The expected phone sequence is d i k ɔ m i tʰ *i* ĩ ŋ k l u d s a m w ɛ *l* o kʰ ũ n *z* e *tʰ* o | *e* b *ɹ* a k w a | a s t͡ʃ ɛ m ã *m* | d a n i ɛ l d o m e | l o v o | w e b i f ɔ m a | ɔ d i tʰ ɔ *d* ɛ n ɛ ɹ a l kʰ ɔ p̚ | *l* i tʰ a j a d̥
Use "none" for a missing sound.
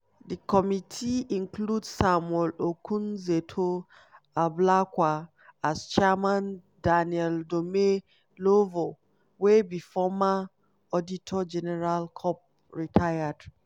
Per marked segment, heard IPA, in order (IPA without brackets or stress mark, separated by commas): i, l, z, tʰ, a, l, n, d͡ʒ, ɹ